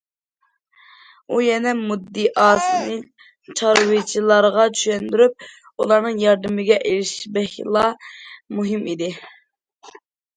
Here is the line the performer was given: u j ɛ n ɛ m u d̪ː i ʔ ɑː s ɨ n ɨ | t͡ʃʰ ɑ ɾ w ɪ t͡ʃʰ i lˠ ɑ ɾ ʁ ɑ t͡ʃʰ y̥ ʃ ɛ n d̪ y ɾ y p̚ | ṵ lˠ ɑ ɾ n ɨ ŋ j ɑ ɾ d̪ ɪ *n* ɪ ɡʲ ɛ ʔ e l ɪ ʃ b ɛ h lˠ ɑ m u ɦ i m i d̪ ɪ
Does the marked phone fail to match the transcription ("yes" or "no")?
yes